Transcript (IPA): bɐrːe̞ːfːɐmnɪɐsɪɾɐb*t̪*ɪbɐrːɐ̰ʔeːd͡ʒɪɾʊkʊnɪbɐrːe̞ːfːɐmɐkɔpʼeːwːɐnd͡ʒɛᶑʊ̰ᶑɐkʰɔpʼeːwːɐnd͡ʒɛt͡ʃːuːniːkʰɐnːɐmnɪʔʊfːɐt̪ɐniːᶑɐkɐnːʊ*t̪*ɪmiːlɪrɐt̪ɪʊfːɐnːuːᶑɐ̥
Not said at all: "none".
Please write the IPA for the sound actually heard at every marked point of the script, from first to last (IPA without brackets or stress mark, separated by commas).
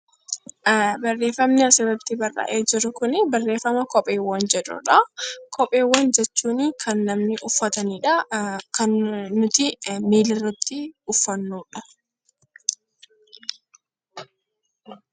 t̪, t̪